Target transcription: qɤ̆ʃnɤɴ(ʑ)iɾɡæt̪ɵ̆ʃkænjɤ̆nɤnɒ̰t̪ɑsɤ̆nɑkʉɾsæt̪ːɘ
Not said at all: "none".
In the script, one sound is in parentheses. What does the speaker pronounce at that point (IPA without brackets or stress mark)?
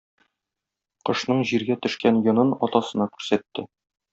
ʑ